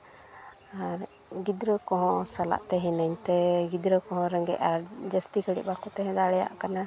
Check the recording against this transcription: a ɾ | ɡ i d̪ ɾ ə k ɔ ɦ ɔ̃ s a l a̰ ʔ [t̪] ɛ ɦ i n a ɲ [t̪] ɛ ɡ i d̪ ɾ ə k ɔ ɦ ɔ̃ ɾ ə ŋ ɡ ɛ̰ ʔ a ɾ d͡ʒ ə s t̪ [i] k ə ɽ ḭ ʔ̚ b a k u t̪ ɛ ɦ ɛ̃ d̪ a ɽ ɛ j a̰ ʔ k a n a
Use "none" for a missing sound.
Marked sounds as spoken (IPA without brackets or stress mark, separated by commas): t̪, t̪, i